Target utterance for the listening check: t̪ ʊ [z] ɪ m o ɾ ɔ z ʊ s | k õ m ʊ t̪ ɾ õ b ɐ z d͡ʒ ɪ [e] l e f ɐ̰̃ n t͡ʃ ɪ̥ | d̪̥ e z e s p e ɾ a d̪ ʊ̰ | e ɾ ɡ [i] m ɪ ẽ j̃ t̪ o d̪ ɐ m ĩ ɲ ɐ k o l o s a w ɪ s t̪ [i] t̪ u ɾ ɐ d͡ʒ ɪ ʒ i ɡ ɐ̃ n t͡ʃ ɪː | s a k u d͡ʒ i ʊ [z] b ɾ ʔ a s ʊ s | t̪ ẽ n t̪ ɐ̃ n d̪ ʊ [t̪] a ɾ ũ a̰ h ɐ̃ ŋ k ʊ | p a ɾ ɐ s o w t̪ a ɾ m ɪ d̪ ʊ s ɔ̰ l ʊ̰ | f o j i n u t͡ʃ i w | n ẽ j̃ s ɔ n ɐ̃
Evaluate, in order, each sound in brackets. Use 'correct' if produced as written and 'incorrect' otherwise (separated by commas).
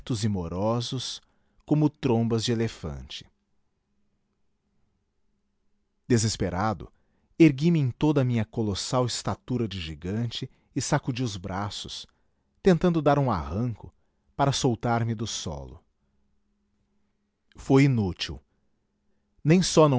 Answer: correct, correct, correct, incorrect, correct, incorrect